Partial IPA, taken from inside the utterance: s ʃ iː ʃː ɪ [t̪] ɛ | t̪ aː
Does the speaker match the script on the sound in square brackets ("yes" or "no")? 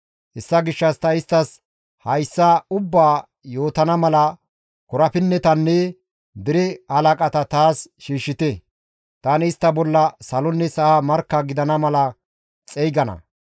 yes